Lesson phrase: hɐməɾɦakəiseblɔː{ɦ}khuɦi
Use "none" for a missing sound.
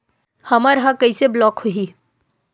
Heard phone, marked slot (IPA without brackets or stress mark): none